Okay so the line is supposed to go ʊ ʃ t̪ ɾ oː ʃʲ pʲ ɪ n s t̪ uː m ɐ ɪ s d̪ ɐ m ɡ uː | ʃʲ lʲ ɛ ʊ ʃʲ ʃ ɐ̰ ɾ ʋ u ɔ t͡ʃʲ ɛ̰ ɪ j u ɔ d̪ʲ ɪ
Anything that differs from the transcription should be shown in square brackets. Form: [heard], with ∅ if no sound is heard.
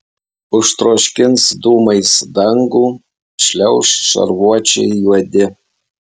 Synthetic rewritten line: ʊ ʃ t̪ ɾ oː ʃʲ [kʲ] ɪ n s [d̪] uː m ɐ ɪ s d̪ ɐ [ŋ] ɡ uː | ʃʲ lʲ ɛ ʊ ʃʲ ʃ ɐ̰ ɾ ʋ u ɔ t͡ʃʲ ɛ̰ ɪ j u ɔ d̪ʲ ɪ